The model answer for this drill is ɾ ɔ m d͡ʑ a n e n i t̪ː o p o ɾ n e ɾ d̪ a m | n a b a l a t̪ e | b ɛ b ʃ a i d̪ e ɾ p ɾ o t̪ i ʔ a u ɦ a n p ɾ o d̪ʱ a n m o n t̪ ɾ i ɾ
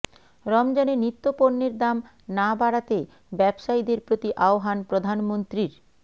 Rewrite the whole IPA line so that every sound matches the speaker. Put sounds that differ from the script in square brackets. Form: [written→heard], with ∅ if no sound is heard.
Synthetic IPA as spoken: ɾ ɔ m d͡ʑ a n e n i t̪ː o p o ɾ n e ɾ d̪ a m | n a b a [l→ɽ] a t̪ e | b ɛ b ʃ a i d̪ e ɾ p ɾ o t̪ i ʔ a [u→o] ɦ a n p ɾ o d̪ʱ a n m o n t̪ ɾ i ɾ